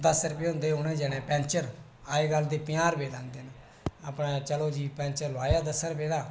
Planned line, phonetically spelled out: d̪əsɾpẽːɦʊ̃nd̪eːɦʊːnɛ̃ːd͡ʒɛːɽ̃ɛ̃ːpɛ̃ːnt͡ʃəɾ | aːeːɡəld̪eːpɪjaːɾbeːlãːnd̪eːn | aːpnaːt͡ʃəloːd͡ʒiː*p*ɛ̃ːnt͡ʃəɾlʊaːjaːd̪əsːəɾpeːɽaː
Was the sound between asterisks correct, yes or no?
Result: yes